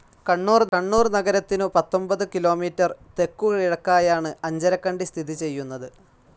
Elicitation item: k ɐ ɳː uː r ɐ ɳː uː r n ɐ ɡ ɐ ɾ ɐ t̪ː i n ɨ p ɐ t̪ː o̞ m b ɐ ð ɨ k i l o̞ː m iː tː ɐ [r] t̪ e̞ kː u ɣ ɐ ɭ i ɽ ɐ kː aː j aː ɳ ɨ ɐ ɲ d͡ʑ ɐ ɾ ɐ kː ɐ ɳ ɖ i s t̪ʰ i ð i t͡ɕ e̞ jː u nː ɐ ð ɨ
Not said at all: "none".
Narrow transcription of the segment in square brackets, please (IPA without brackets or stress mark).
r